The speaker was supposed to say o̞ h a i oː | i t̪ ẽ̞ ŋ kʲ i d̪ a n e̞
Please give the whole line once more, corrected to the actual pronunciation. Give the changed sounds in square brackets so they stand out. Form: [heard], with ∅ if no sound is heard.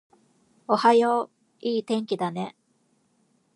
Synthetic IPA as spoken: o̞ h a [j] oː | [iː] t̪ ẽ̞ ŋ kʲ i d̪ a n e̞